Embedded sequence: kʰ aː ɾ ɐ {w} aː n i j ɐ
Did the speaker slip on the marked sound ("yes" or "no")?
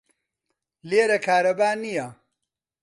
yes